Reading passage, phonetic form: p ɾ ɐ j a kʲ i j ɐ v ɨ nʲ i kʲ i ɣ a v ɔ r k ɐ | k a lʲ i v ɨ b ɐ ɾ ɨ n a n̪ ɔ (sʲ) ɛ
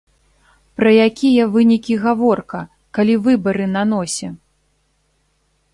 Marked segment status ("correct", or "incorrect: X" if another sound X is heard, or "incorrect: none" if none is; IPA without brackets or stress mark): correct